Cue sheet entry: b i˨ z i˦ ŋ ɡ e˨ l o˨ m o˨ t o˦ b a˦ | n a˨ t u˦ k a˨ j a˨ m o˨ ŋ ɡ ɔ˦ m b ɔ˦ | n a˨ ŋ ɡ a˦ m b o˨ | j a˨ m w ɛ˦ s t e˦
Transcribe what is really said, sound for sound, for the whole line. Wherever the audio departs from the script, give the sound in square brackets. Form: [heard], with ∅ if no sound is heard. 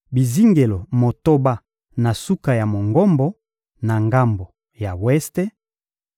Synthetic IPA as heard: b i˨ z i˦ ŋ ɡ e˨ l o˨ m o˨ t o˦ b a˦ | n a˨ [s] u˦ k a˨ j a˨ m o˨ ŋ ɡ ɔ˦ m b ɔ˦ | n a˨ ŋ ɡ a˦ m b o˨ | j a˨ [∅] w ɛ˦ s t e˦

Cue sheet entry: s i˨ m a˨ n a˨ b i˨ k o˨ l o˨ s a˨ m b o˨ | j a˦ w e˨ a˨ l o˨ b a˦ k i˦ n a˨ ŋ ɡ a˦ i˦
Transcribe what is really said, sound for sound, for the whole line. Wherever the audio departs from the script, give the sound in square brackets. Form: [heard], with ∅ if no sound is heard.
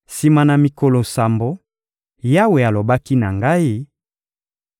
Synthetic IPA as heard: s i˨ m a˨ n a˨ [m] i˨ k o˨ l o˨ s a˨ m b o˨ | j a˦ w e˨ a˨ l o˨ b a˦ k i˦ n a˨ ŋ ɡ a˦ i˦

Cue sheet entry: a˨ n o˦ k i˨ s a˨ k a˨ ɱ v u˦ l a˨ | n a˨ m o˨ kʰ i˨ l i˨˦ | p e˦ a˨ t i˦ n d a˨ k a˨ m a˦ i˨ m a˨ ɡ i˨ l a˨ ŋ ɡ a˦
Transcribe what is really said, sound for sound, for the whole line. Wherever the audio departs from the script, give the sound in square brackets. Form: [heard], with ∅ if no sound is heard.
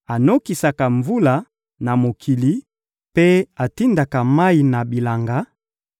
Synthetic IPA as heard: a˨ n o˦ k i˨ s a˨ k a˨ ɱ v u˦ l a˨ | n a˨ m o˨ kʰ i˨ l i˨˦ | p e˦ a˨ t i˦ n d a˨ k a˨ m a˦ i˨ [n] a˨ [b] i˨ l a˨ ŋ ɡ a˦

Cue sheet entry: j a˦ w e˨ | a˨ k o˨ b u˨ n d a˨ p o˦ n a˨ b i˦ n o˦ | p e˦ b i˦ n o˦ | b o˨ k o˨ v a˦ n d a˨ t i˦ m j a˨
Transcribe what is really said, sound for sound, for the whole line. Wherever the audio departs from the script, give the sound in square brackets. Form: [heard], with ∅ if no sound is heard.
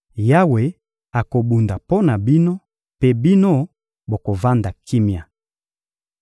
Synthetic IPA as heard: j a˦ w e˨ | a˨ k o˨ b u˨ n d a˨ p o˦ n a˨ b i˦ n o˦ | p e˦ b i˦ n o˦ | b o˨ k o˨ v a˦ n d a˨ [k] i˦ m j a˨

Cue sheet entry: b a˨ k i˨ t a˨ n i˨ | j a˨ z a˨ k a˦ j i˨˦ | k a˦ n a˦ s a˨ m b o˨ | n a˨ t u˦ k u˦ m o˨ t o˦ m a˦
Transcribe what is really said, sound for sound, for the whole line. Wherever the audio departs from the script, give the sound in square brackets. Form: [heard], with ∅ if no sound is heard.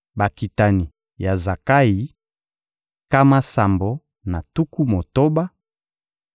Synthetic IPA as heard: b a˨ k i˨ t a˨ n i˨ | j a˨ z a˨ k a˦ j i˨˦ | k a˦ [m] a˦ s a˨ m b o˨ | n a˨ t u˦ k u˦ m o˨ t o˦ [b] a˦

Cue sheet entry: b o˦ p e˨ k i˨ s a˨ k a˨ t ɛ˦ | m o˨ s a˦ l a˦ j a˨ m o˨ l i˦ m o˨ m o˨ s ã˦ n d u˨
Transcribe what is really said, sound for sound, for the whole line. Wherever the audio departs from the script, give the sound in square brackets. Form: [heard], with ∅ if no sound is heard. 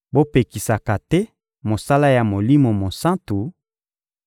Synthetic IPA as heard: b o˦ p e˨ k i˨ s a˨ k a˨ t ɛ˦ | m o˨ s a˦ l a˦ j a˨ m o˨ l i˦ m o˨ m o˨ s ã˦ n [t] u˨

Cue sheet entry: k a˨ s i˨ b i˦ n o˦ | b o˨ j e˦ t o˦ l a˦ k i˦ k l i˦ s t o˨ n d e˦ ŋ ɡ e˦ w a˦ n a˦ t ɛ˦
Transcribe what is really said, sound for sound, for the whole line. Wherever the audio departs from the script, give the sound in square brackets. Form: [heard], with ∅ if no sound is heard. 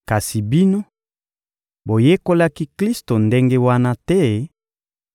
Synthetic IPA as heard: k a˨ s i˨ b i˦ n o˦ | b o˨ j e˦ [k] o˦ l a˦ k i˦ k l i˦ s t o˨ n d e˦ ŋ ɡ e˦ w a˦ n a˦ t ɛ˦

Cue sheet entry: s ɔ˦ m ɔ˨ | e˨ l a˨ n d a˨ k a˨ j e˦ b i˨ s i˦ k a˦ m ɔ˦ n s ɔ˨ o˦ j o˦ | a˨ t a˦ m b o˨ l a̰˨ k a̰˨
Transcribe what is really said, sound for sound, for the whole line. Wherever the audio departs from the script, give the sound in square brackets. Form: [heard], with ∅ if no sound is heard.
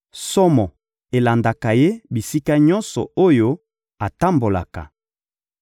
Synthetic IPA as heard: s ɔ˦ m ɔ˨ | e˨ l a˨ n d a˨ k a˨ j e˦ b i˨ s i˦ k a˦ [ɲ] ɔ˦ n s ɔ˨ o˦ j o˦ | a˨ t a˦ m b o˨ l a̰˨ k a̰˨

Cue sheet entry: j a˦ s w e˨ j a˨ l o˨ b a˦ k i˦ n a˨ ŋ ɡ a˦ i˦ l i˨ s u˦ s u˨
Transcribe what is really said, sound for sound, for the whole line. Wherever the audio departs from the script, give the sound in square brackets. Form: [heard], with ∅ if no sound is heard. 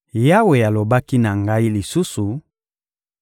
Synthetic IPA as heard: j a˦ [∅] w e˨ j a˨ l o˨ b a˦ k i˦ n a˨ ŋ ɡ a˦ i˦ l i˨ s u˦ s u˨

